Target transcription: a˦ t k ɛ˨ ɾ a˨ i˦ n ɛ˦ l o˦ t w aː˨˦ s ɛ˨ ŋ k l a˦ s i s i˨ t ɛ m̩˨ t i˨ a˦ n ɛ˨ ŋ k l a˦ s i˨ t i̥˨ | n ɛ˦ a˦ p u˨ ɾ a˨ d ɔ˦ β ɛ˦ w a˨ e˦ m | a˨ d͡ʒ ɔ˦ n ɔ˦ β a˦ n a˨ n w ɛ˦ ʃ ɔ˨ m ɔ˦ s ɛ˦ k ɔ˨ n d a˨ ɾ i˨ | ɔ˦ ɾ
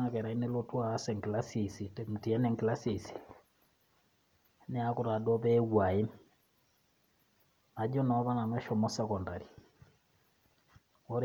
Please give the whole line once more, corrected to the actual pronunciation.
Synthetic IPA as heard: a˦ k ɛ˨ ɾ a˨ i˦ n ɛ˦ l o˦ t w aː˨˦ s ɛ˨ ŋ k l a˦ s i s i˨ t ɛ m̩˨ t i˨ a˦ n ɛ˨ ŋ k l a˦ s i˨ s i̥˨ | n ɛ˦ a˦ k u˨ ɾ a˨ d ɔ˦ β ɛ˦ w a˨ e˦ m | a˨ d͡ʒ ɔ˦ n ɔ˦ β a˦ n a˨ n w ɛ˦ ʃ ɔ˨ m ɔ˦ s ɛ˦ k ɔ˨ n d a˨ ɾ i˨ | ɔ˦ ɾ